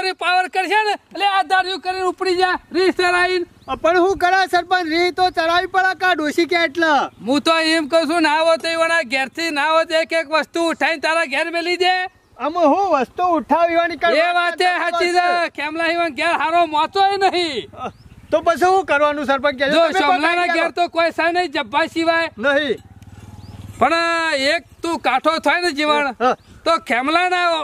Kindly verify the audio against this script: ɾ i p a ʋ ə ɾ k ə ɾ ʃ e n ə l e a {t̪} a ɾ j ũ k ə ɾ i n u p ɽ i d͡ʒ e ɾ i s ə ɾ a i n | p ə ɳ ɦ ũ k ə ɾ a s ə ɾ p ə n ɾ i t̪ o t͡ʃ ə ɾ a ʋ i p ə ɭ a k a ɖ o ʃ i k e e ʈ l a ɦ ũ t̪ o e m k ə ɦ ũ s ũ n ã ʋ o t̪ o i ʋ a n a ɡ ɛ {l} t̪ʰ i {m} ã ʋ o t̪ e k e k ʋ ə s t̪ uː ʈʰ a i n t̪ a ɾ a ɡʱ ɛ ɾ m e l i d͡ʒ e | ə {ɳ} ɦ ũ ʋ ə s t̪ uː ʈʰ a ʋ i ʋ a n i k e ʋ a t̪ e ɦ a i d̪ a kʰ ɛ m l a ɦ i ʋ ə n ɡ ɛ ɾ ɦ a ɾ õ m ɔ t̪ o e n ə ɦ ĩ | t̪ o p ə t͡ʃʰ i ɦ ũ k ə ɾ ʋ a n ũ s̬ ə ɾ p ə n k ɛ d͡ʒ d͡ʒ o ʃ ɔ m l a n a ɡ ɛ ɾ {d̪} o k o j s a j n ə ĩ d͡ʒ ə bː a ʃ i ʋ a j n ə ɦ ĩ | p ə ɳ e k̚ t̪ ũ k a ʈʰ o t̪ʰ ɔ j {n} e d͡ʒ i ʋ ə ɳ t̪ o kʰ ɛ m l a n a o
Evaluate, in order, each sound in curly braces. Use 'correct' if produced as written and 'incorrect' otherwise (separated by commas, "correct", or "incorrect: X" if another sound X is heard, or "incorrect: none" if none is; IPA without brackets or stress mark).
incorrect: d̪, incorrect: ɾ, incorrect: n, incorrect: m, incorrect: t̪, correct